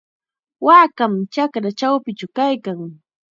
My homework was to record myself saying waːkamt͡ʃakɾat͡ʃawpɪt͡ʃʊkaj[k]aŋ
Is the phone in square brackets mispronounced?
no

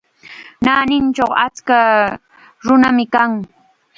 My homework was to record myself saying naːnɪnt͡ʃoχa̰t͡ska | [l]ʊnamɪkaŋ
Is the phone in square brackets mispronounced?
yes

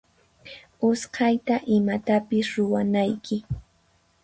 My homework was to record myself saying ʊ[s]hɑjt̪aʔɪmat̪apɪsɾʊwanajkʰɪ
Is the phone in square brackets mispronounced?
no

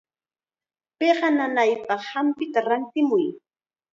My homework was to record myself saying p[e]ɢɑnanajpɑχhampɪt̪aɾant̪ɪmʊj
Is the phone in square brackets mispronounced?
no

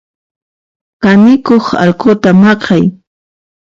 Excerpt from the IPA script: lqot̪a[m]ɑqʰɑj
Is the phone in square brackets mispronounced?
no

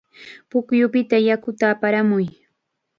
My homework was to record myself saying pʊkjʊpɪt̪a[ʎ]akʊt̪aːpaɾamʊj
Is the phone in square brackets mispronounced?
yes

